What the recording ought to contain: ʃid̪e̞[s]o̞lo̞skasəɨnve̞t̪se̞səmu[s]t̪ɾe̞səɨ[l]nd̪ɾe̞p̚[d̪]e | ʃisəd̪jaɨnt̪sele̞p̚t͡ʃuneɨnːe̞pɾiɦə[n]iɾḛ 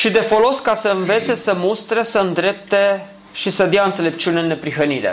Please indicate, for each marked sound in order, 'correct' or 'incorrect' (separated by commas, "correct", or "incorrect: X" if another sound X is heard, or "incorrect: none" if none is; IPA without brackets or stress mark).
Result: incorrect: f, correct, incorrect: none, incorrect: t̪, correct